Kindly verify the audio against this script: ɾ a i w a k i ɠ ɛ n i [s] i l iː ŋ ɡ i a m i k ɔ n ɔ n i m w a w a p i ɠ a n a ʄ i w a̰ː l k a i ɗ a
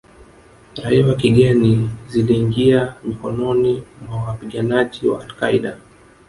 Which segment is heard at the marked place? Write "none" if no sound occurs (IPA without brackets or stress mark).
z